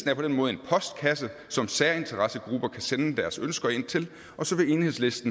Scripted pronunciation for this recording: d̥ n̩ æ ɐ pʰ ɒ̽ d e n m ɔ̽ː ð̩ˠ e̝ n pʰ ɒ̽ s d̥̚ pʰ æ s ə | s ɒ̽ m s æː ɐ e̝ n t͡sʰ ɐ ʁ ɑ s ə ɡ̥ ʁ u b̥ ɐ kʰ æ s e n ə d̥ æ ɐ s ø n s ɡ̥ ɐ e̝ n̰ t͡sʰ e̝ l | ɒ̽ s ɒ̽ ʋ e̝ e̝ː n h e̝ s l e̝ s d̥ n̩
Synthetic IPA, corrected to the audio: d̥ n̩ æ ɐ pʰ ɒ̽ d e n m ɔ̽ː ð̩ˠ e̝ n pʰ ɒ̽ s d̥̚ kʰ æ s ə | s ɒ̽ m s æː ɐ e̝ n t͡sʰ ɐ ʁ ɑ s ə ɡ̥ ʁ u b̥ ɐ kʰ æ s e n ə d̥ æ ɐ s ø n s ɡ̥ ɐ e̝ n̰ t͡sʰ e̝ l | ɒ̽ s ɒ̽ ʋ e̝ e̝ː n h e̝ s l e̝ s d̥ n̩